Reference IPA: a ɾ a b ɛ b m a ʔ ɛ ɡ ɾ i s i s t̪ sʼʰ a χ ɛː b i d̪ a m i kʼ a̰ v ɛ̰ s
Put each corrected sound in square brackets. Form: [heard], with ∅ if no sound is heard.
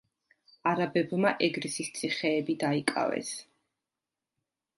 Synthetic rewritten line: a ɾ a b ɛ b m a ʔ ɛ ɡ ɾ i s i s t̪ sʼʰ [i] χ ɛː b i d̪ a [∅] i kʼ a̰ v ɛ̰ s